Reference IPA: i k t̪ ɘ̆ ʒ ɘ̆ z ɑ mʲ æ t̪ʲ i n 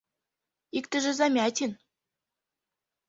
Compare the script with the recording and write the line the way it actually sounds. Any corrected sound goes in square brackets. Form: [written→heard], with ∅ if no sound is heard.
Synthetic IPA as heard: i k t̪ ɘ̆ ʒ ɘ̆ z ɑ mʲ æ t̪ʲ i n